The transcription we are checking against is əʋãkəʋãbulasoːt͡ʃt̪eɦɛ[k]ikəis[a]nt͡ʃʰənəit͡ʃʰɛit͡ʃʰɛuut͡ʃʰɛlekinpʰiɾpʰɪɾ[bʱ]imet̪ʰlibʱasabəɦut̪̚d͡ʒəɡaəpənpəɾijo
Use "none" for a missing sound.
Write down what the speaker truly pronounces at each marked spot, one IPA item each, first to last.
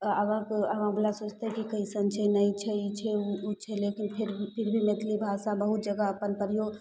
k, ə, bʱ

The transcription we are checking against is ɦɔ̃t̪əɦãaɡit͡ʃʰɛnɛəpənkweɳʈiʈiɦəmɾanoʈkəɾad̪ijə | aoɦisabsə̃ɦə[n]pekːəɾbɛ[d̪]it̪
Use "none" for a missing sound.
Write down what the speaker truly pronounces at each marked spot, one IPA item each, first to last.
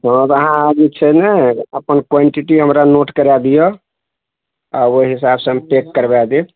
m, d̪

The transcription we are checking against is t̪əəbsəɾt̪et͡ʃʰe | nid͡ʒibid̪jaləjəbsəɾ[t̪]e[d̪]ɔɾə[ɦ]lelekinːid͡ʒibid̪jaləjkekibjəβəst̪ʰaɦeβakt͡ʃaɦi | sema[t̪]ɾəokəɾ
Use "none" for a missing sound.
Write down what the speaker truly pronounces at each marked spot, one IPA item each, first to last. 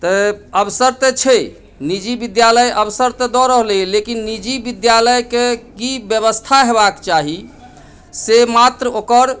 t̪, d̪, ɦ, t̪

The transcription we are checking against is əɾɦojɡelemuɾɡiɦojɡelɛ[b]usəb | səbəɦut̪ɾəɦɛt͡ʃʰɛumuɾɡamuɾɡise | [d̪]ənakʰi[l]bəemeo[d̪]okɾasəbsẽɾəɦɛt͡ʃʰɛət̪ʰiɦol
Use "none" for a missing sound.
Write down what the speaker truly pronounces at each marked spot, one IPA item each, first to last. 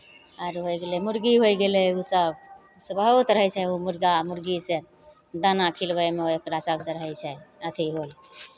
none, d̪, l, none

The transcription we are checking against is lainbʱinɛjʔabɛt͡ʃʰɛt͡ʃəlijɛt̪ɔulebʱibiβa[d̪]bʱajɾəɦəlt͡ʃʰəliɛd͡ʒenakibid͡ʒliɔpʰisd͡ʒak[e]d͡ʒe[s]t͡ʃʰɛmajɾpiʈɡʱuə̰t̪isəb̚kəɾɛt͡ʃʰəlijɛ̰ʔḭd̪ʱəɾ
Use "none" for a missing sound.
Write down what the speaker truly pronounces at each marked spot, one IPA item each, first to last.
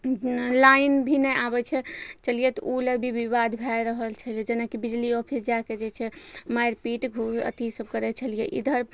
d̪, e, none

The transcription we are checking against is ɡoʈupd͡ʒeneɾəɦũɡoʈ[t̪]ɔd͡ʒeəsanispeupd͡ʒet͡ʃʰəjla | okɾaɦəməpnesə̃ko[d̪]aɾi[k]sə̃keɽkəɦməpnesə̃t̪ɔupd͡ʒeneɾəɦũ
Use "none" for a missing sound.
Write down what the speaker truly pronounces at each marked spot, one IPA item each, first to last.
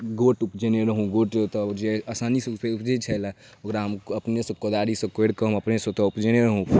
t̪, d̪, none

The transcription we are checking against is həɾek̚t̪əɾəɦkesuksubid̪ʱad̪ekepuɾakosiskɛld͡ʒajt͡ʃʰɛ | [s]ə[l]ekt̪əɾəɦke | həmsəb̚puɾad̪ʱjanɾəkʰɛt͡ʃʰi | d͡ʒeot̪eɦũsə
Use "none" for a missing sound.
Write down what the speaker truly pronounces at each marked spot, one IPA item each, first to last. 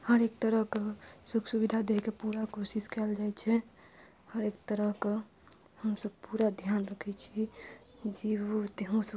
h, ɾ

